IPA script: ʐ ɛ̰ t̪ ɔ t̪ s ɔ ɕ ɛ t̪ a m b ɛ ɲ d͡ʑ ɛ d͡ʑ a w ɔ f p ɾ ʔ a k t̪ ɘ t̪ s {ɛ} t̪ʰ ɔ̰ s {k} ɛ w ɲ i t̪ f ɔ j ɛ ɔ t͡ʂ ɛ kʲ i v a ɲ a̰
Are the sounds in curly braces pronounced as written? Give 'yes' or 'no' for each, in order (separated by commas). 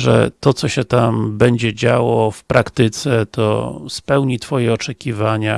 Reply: yes, no